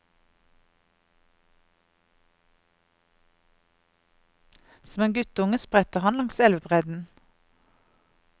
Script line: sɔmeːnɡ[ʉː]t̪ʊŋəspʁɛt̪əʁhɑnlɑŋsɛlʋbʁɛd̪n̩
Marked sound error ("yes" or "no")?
yes